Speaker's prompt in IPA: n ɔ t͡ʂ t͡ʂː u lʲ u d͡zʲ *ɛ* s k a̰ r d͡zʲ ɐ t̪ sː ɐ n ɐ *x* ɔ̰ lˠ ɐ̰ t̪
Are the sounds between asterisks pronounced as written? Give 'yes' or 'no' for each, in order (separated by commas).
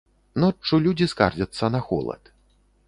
no, yes